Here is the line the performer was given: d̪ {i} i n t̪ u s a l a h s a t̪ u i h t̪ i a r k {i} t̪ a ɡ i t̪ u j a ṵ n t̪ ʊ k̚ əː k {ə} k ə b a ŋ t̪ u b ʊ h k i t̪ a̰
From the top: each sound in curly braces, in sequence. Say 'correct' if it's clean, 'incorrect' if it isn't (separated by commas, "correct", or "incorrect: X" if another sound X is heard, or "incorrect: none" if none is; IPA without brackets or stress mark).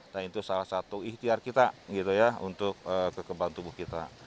incorrect: a, correct, correct